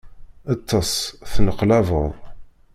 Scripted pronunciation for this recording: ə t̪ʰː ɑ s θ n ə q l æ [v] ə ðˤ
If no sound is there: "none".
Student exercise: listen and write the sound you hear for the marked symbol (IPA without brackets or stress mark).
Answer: v